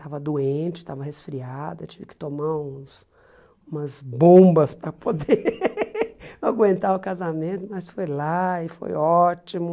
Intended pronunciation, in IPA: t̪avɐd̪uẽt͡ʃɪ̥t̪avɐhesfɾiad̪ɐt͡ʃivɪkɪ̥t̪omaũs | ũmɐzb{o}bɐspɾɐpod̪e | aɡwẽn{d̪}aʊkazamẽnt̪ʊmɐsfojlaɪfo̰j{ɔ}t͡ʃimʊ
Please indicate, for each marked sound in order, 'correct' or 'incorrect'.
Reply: incorrect: õ, incorrect: t̪, correct

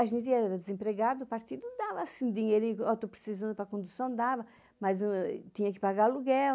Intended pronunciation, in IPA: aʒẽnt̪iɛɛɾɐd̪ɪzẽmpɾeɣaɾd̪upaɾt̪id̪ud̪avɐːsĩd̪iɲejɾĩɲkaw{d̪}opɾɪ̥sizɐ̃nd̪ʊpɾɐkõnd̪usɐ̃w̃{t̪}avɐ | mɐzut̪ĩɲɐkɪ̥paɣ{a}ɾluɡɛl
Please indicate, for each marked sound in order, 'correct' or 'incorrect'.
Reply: incorrect: t̪, incorrect: d̪, correct

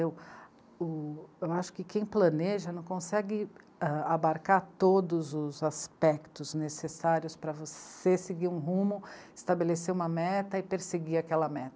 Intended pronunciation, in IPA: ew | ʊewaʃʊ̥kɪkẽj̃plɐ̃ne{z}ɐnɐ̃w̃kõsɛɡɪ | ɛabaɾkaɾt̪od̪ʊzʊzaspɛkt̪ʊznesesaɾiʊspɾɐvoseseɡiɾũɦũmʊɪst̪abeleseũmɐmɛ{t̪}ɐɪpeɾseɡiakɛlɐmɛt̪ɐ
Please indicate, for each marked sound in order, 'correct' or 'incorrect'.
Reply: incorrect: ʒ, correct

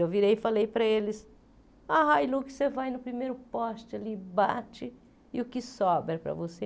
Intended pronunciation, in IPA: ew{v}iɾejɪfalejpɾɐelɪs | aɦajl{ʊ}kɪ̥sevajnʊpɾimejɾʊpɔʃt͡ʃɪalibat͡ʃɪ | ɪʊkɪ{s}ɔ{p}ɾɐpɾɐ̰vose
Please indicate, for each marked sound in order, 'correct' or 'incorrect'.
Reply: correct, incorrect: u, correct, incorrect: b

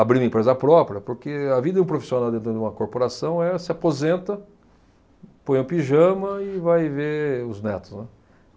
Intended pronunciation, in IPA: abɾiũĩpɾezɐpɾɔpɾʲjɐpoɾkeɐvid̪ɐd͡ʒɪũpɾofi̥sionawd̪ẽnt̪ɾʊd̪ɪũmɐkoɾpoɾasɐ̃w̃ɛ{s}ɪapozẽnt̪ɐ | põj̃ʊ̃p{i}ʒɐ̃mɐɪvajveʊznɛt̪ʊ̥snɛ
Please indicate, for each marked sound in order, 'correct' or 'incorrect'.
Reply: correct, correct

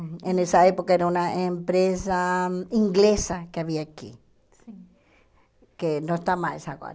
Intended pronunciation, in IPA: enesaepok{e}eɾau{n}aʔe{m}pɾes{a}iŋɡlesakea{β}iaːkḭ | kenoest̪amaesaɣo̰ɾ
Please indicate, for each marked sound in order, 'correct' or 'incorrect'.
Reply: incorrect: a, correct, correct, correct, correct

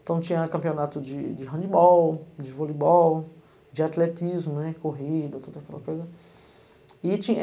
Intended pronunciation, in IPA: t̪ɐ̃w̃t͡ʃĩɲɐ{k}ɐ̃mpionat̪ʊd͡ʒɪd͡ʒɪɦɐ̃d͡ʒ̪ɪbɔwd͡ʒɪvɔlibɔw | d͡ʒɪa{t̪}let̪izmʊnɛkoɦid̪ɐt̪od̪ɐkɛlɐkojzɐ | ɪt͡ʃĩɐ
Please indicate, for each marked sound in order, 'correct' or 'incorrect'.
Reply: correct, correct

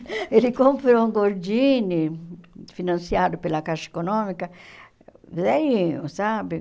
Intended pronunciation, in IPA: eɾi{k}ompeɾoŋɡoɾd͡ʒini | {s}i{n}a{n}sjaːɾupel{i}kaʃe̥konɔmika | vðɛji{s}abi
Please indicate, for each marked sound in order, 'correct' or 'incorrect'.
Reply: correct, incorrect: f, correct, correct, incorrect: a, correct

